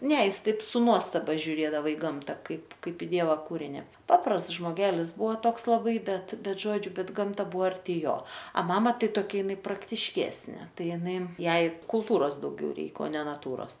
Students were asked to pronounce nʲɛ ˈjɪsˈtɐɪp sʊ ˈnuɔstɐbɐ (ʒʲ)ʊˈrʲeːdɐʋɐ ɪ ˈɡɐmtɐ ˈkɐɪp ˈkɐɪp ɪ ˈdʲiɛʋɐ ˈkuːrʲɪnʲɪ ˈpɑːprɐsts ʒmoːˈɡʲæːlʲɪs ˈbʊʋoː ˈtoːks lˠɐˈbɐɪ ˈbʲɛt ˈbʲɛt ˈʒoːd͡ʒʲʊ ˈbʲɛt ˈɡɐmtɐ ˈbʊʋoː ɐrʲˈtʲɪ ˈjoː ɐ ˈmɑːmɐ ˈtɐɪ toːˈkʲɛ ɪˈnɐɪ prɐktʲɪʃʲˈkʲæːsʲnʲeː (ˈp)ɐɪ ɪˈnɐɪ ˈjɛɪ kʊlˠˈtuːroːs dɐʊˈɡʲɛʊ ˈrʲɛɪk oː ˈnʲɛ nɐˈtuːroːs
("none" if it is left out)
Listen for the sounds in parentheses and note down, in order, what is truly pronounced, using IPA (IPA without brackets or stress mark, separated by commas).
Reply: ʒʲ, t